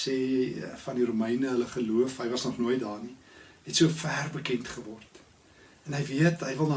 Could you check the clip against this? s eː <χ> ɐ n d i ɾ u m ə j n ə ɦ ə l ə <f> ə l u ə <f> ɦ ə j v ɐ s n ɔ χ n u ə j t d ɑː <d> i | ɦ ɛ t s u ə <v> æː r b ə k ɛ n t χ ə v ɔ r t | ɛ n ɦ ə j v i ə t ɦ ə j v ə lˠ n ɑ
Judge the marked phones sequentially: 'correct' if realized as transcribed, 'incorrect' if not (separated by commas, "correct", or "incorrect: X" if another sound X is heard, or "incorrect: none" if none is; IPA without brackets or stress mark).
incorrect: f, incorrect: χ, correct, incorrect: n, incorrect: f